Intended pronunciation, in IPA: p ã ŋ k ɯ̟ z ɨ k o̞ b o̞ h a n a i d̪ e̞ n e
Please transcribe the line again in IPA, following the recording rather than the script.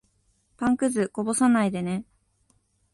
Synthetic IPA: p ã ŋ k ɯ̟ z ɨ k o̞ b o̞ s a n a i d̪ e̞ n e